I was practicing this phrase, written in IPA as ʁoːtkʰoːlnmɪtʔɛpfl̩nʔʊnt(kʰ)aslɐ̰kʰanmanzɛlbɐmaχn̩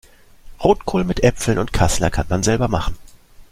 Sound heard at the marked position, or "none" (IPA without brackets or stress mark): kʰ